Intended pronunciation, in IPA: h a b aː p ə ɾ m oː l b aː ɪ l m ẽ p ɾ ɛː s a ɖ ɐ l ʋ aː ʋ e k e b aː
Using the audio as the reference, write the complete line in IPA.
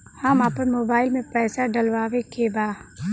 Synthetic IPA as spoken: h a m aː p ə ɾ m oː b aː ɪ l m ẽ p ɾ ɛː s a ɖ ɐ l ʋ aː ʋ e k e b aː